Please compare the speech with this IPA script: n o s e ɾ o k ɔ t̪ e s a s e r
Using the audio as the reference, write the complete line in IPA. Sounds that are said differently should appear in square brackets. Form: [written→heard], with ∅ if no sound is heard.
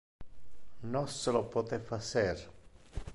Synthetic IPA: n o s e [ɾ→l] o [k→p] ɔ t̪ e [s→f] a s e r